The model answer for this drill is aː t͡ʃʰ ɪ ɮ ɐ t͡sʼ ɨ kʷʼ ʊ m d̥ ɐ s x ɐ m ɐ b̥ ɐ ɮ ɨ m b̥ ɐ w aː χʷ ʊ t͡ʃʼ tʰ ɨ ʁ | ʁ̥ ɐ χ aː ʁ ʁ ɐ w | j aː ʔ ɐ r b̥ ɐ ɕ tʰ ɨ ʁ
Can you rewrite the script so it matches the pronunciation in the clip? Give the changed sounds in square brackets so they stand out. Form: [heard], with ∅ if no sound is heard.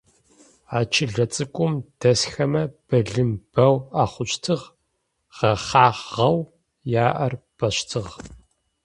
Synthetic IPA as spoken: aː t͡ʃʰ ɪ ɮ ɐ t͡sʼ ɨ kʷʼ ʊ m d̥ ɐ s x ɐ m ɐ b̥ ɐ ɮ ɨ m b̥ ɐ w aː χʷ ʊ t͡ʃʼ tʰ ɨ ʁ | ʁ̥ ɐ χ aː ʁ ʁ ɐ w | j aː ʔ ɐ r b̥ ɐ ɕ tʰ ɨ ʁ